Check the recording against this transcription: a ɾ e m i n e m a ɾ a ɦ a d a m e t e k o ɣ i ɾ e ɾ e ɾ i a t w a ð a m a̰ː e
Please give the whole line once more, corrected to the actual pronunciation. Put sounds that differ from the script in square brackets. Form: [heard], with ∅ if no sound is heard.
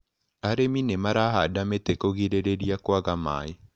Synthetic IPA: a ɾ e m i n e m a ɾ a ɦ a d a m e t e k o ɣ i ɾ e ɾ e ɾ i a [k] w a [ɣ] a m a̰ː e